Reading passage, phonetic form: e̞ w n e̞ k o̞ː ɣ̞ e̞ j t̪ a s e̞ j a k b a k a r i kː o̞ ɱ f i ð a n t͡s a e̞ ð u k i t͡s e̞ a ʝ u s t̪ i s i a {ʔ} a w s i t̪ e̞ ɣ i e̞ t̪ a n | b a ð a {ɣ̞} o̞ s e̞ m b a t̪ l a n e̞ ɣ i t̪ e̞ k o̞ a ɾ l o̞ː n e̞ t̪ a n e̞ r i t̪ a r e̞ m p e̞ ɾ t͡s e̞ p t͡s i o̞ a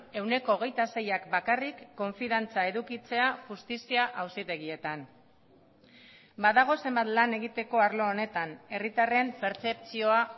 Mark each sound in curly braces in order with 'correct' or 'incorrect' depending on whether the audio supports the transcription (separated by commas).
correct, correct